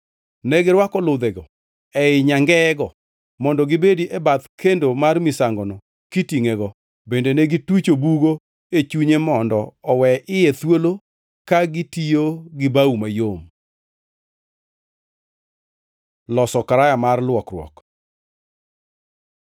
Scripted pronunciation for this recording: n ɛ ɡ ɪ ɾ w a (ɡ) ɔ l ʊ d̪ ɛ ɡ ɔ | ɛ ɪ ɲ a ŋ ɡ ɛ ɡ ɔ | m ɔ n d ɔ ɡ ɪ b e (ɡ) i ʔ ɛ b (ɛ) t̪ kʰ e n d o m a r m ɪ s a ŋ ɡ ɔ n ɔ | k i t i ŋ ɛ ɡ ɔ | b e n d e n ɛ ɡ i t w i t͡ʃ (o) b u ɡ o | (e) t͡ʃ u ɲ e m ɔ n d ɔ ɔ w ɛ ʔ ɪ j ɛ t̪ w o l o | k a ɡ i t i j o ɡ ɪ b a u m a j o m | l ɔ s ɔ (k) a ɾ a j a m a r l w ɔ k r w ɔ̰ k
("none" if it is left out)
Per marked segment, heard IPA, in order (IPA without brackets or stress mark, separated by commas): k, d, a, o, e, k